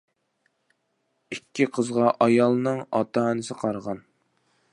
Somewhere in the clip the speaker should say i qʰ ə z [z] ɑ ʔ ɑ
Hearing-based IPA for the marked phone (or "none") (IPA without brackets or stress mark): ʁ